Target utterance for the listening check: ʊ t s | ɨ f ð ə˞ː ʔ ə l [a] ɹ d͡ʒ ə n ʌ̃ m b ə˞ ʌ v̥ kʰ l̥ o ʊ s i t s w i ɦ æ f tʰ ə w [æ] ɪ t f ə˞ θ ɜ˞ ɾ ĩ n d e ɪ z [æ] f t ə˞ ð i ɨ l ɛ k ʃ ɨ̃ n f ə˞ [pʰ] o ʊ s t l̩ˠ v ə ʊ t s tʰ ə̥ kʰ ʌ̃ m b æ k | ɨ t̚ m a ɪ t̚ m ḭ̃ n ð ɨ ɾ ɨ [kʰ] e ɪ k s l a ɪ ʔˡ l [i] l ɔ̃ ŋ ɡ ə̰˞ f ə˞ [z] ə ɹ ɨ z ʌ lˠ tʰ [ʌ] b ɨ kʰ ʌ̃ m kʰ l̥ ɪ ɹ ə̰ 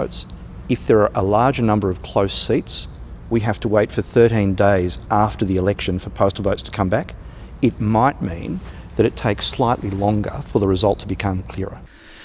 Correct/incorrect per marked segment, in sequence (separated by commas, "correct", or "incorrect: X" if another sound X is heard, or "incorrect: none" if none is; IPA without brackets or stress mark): incorrect: ɑ, incorrect: e, correct, correct, incorrect: tʰ, correct, incorrect: ð, incorrect: ə